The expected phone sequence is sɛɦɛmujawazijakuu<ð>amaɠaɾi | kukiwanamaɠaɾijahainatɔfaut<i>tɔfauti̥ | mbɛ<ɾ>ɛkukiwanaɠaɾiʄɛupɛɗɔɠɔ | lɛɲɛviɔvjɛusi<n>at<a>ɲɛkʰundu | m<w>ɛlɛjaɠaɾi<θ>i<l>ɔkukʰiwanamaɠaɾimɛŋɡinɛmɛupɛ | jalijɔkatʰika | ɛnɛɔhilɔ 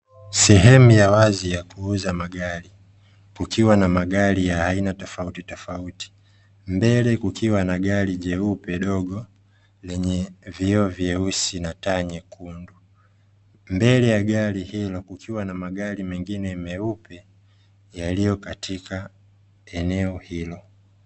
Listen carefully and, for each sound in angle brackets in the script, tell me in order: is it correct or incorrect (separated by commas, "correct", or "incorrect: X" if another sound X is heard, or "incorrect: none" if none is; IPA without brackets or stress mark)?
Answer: incorrect: z, correct, incorrect: l, correct, correct, incorrect: b, incorrect: h, correct